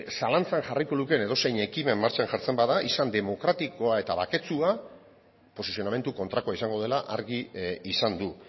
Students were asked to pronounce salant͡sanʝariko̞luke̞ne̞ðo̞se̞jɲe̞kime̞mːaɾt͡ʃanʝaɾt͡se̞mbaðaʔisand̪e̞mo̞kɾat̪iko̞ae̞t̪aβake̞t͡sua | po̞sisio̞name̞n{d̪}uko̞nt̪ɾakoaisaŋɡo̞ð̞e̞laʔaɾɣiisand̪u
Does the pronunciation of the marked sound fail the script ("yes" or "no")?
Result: yes